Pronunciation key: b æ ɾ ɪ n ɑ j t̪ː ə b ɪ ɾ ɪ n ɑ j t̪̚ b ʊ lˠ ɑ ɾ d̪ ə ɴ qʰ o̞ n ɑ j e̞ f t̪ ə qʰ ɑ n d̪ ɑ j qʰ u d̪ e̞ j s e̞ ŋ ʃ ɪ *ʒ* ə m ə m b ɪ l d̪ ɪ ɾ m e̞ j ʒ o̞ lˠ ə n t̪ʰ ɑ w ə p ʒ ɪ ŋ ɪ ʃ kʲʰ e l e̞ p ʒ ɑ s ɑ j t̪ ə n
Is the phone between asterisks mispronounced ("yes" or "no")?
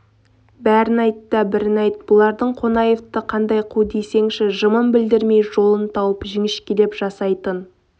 no